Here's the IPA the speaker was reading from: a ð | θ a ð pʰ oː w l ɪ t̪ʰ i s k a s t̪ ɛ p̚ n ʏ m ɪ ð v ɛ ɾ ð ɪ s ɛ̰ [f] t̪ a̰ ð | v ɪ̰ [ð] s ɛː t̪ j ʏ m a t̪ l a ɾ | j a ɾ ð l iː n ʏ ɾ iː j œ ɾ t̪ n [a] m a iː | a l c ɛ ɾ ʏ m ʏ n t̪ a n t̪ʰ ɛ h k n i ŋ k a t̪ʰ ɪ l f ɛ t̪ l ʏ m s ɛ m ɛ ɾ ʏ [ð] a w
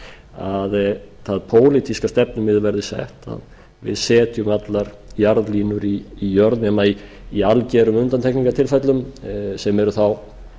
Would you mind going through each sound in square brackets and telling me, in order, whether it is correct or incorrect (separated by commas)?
incorrect, correct, incorrect, incorrect